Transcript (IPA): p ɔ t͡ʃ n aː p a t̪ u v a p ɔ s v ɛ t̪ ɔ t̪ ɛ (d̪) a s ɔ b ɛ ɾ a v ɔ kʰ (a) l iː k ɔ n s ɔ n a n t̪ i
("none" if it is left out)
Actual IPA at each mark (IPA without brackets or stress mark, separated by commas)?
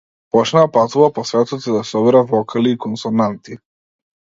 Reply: d̪, a